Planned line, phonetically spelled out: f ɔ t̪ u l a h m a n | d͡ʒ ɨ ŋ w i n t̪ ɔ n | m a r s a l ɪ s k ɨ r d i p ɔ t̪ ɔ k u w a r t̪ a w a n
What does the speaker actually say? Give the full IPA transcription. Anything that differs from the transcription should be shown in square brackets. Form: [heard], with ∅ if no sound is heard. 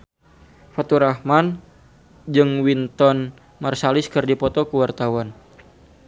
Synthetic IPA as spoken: f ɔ t̪ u [ɾ] a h m a n | d͡ʒ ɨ ŋ w i n t̪ ɔ n | m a r s a l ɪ s k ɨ r d i p ɔ t̪ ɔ k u w a r t̪ a w a n